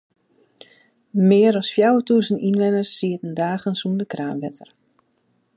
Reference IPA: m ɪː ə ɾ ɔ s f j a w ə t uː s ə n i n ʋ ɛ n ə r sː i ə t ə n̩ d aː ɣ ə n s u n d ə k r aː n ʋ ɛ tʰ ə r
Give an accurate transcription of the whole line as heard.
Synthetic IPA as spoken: m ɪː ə ɾ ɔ s f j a w ə t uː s ə n i n ʋ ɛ n ə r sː i ə t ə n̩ d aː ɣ ə n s u n d ə k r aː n ʋ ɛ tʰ ə r